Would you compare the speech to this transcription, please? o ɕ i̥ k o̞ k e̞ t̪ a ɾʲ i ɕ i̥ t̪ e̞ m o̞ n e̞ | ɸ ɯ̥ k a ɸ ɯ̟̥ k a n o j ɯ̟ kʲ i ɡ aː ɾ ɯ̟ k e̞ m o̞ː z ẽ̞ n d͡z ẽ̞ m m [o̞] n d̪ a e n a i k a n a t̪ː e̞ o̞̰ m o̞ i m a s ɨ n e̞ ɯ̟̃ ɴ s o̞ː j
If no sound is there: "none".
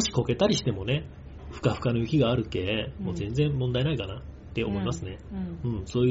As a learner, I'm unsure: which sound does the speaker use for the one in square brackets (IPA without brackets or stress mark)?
õ̞